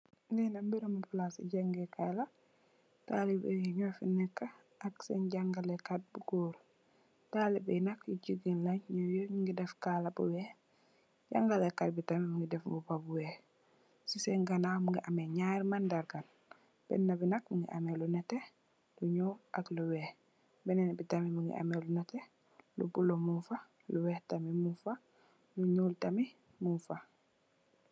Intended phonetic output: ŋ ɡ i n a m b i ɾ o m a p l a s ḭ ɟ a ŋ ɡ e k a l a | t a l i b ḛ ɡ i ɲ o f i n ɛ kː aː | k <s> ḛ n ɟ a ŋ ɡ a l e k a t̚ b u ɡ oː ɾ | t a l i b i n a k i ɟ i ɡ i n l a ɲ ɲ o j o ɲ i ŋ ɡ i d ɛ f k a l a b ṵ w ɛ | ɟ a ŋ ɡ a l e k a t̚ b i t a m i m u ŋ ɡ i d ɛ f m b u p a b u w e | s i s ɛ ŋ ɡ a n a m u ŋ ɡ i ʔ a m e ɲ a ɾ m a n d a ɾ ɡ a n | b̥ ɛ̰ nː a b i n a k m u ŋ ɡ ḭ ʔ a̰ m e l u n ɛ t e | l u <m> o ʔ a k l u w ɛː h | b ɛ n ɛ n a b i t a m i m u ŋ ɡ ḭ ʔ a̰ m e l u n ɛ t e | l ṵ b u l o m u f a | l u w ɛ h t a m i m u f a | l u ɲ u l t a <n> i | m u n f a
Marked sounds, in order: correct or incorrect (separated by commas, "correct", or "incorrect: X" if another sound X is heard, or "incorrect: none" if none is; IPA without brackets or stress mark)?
correct, incorrect: ɲ, incorrect: m